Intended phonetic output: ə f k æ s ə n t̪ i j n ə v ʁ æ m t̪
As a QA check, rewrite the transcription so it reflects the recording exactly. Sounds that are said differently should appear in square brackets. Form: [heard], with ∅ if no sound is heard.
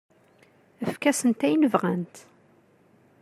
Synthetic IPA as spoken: ə f k æ s ə n t̪ [æ] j n ə v ʁ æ [n] t̪